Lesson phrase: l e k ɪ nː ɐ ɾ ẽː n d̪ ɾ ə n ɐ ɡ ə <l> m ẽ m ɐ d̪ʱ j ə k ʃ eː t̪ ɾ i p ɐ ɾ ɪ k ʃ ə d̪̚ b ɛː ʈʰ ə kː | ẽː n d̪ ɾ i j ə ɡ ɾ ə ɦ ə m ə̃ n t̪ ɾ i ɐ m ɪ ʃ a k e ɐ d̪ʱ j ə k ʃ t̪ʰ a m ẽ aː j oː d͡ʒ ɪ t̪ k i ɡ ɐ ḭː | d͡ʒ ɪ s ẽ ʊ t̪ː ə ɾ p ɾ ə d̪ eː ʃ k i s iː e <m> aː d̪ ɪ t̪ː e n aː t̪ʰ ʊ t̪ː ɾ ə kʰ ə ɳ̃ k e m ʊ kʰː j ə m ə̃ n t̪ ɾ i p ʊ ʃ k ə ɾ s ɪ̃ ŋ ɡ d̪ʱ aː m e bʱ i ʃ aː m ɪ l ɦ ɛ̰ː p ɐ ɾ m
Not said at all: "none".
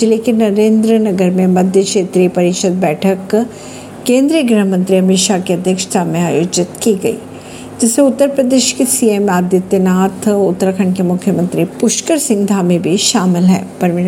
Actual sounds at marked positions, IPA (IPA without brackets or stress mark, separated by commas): ɾ, m